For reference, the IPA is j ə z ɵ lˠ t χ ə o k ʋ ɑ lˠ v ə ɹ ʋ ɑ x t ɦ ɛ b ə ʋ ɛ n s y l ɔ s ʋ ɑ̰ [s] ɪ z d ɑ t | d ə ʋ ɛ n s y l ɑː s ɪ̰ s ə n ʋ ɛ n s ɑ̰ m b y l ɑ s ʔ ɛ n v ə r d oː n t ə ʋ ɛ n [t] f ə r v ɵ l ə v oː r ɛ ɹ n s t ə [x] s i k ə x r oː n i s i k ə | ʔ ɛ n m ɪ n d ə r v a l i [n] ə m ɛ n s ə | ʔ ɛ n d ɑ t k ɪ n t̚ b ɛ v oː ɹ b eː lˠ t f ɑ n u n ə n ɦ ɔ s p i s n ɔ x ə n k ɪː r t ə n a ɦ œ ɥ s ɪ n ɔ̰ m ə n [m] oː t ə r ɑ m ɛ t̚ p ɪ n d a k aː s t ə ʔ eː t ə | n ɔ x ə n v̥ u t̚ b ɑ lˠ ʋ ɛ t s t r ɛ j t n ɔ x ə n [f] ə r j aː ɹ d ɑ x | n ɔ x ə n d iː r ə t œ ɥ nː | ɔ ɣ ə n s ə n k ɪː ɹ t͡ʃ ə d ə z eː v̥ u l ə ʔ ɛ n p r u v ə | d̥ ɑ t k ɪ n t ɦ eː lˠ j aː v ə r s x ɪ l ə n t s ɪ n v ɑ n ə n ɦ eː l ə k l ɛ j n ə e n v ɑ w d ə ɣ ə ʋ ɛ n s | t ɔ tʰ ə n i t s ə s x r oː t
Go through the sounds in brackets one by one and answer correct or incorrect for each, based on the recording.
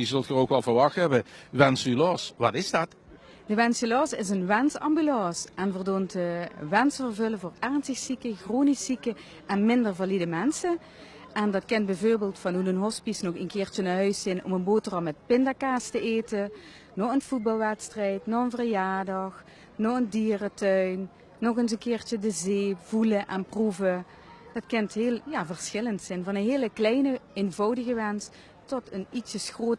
incorrect: t, incorrect: s, correct, incorrect: d, incorrect: b, incorrect: v

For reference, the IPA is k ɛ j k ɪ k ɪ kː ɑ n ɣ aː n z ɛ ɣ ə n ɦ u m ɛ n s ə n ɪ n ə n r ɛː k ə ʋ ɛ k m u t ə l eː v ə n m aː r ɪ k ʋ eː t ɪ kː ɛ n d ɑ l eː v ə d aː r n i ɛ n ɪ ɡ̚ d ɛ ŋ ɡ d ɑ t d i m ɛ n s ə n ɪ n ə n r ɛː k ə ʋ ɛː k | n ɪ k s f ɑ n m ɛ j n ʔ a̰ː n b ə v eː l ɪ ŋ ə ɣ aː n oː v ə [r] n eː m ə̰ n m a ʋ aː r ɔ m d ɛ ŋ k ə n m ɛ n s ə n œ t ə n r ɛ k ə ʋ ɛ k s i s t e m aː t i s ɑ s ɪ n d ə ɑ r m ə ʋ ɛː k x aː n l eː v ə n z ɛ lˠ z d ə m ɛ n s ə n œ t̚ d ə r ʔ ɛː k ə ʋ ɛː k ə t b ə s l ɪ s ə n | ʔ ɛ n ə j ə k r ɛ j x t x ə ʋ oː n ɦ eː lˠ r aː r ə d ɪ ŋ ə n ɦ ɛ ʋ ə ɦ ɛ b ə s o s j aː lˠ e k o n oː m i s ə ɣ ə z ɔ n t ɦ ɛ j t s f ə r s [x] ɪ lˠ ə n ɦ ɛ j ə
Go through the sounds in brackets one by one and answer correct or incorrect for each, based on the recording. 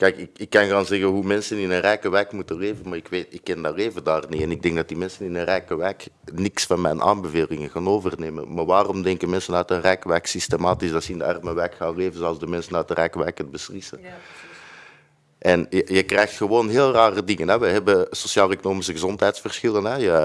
correct, correct

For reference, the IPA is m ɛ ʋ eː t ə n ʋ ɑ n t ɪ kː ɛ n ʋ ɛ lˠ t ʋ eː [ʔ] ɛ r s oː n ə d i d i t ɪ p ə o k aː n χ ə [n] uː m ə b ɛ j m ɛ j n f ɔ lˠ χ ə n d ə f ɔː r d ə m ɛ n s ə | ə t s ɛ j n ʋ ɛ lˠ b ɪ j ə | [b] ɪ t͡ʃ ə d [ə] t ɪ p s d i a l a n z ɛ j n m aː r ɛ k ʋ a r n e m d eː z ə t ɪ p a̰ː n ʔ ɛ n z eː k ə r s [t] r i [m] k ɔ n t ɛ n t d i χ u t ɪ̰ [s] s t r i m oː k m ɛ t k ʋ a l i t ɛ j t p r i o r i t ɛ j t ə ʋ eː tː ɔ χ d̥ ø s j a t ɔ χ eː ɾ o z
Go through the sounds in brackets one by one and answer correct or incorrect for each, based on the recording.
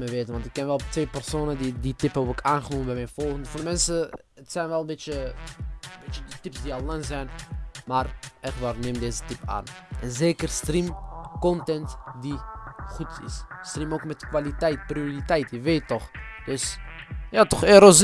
incorrect: p, correct, correct, correct, correct, correct, correct

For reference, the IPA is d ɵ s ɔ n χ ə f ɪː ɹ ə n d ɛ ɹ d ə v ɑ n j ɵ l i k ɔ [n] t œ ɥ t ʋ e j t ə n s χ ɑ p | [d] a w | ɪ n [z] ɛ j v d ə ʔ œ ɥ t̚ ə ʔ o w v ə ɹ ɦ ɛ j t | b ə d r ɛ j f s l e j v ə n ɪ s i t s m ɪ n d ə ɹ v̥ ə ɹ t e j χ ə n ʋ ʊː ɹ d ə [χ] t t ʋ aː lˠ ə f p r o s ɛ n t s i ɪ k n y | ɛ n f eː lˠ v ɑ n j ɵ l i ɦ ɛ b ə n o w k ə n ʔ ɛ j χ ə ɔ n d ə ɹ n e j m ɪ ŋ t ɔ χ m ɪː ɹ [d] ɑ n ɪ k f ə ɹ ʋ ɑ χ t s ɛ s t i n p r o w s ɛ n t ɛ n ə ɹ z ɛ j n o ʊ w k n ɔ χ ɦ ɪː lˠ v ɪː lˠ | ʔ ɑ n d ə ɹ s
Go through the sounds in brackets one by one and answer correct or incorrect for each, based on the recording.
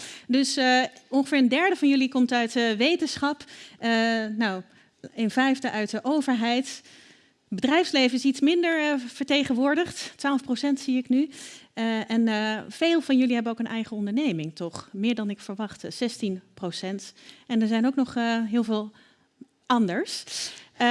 incorrect: m, incorrect: n, incorrect: v, correct, correct

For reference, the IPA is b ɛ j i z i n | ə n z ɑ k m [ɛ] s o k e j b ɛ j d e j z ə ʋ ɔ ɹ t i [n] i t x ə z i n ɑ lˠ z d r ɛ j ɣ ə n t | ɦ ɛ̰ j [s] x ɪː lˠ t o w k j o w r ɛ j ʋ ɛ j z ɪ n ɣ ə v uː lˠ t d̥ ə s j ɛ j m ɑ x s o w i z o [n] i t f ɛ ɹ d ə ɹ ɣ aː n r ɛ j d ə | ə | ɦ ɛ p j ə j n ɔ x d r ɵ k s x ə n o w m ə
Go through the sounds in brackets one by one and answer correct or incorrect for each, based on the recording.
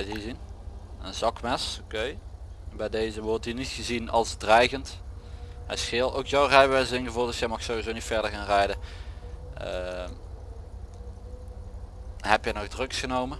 correct, correct, correct, correct

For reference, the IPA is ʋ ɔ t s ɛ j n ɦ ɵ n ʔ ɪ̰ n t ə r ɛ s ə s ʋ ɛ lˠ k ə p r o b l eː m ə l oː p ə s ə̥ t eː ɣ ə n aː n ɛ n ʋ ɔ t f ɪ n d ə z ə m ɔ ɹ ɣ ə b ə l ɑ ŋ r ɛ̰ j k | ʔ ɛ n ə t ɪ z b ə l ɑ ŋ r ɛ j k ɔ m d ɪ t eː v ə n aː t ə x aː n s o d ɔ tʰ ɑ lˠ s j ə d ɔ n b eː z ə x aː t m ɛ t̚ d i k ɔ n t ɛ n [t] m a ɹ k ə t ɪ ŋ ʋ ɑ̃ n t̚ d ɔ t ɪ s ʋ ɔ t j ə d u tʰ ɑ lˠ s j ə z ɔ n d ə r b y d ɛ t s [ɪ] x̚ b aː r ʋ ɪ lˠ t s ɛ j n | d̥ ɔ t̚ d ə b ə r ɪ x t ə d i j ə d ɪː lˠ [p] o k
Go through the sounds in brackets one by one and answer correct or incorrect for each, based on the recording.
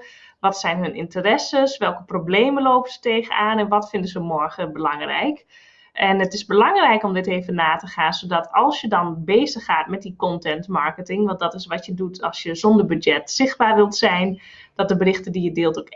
correct, correct, incorrect: t

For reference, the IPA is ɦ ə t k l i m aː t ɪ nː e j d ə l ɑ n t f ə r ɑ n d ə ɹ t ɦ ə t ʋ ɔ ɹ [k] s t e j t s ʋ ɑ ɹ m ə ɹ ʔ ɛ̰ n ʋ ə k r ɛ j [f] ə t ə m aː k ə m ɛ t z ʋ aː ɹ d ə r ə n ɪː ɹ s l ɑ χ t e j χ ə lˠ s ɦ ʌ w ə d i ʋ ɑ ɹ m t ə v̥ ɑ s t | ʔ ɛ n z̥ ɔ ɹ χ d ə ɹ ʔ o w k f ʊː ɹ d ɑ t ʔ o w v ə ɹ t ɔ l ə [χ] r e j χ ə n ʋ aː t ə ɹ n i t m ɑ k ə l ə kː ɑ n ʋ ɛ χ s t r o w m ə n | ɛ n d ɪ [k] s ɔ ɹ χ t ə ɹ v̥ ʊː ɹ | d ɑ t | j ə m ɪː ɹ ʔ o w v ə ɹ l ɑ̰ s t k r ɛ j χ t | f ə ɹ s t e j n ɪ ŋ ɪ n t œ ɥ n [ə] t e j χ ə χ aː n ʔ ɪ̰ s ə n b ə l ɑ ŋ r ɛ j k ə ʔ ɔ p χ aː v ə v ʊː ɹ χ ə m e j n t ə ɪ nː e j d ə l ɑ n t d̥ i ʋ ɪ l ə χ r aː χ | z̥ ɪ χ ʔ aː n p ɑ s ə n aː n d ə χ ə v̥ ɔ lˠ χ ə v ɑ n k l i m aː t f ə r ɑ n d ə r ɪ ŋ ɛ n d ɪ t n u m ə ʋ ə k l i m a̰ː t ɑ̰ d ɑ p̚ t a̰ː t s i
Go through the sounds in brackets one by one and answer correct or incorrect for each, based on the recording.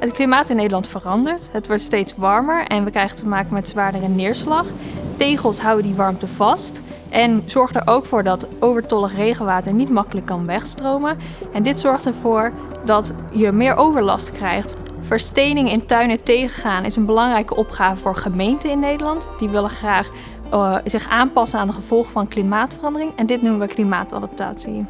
incorrect: t, incorrect: χ, correct, incorrect: t, correct

